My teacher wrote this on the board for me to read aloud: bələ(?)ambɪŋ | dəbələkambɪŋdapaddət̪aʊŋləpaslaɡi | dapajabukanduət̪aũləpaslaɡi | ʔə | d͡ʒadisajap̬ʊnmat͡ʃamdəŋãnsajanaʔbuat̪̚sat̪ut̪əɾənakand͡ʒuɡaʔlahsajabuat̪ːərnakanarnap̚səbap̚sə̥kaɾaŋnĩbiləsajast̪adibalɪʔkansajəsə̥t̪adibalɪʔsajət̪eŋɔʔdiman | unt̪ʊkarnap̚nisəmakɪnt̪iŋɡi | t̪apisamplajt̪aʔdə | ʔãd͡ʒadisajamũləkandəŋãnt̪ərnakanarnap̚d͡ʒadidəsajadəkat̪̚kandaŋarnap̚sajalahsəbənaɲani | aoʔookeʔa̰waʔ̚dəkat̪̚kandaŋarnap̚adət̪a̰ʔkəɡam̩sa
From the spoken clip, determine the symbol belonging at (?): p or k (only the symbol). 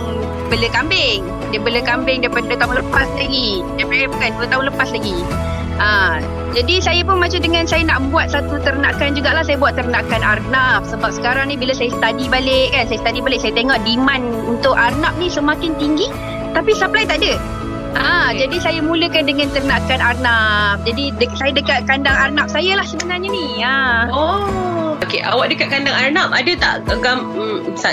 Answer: k